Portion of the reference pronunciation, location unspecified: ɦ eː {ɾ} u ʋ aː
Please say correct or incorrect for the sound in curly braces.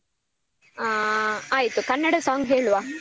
incorrect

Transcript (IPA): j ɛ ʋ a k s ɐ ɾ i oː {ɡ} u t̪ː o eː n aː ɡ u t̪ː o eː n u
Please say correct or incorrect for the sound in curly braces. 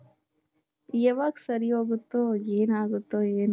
correct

